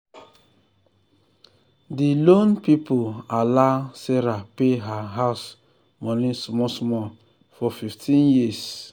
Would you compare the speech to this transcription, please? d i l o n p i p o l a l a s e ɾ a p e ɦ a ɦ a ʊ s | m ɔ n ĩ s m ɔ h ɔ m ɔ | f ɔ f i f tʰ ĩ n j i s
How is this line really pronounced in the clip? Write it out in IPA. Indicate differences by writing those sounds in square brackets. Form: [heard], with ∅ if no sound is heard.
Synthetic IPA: d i l o n p i p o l a l a s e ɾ a p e ɦ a ɦ a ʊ s | m ɔ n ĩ s m ɔ [s] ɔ m ɔ | f ɔ f i f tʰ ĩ n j i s